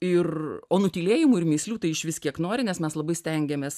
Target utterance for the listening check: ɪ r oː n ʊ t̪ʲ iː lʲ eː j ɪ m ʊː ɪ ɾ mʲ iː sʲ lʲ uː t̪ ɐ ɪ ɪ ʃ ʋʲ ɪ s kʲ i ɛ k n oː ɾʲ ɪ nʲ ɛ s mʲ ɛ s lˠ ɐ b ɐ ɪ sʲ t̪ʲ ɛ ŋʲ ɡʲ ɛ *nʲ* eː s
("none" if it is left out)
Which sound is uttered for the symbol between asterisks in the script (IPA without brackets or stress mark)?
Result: mʲ